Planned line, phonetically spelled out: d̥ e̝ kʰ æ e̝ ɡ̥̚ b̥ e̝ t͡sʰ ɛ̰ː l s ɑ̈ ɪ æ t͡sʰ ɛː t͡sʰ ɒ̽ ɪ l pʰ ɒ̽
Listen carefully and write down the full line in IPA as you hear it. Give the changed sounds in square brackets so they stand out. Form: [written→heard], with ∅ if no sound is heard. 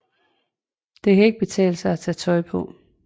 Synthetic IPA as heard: d̥ e̝ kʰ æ e̝ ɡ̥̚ b̥ e̝ t͡sʰ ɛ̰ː l s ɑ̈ ɪ æ t͡sʰ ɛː t͡sʰ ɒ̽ ɪ [l→∅] pʰ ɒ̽